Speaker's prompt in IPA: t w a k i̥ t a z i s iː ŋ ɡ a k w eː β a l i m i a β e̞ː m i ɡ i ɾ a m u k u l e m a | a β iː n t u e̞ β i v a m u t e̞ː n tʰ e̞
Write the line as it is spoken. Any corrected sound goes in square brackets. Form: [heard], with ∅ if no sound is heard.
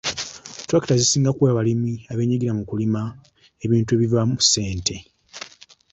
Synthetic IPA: t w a k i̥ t a z i s iː ŋ ɡ a k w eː β a l i m i a β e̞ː [ɲ] i ɡ i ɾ a m u k u l [i] m a | [e] β iː n t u e̞ β i v a m u [s] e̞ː n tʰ e̞